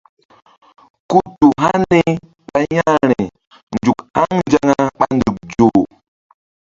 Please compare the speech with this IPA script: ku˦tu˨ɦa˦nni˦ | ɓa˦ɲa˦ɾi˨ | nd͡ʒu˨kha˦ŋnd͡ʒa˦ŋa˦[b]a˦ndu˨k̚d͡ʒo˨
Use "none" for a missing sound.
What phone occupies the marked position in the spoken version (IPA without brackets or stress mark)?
ɓ